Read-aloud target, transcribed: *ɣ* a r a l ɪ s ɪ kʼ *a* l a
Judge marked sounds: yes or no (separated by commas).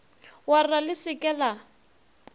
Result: no, no